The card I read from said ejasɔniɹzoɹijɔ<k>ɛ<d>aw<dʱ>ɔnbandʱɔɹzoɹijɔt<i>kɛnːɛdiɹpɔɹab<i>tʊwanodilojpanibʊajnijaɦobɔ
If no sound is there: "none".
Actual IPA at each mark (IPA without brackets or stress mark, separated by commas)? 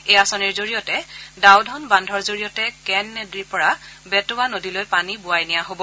t, d, dʱ, ɛ, ɛ